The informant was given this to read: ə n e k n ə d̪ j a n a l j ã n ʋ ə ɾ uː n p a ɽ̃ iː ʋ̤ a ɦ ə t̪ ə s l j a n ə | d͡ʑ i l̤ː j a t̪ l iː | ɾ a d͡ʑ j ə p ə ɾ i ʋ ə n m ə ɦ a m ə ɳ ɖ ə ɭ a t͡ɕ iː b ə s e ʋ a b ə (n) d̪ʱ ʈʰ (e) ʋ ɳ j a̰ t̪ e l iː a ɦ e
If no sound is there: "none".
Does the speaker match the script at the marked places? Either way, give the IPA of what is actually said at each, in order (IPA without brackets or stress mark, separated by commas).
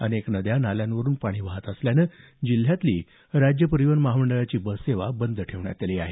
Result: n, e